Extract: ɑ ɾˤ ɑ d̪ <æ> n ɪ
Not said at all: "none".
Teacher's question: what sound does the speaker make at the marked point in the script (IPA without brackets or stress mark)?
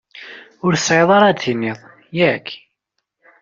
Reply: i